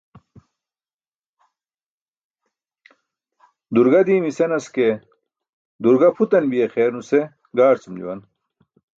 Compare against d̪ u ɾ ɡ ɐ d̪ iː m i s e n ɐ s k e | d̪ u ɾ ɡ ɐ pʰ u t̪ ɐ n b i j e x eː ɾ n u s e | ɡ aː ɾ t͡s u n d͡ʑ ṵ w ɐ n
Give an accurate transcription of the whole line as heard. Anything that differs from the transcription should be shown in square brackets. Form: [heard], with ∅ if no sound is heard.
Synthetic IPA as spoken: d̪ u ɾ ɡ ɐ d̪ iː m i s e n ɐ s k e | d̪ u ɾ ɡ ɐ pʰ u t̪ ɐ n b i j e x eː ɾ n u s e | ɡ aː ɾ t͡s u [m] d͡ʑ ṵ w ɐ n